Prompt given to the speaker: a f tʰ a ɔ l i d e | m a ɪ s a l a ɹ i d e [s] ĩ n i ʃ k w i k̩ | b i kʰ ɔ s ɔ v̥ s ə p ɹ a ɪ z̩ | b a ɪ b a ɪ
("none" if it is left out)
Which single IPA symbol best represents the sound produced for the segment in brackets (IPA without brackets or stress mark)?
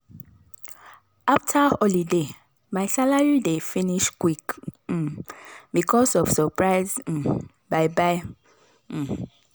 f